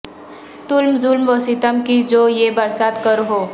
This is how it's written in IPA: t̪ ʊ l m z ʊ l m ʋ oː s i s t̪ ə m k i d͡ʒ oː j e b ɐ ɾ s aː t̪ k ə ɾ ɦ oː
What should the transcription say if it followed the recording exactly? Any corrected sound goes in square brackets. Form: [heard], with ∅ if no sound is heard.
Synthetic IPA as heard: t̪ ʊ l m z ʊ l m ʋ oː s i [∅] t̪ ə m k i d͡ʒ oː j e b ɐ ɾ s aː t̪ k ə ɾ ɦ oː